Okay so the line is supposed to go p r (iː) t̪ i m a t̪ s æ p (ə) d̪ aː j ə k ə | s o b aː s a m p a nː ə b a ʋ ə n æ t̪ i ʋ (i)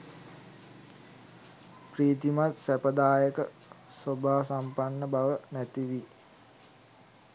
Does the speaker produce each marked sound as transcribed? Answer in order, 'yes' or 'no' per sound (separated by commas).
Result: yes, yes, yes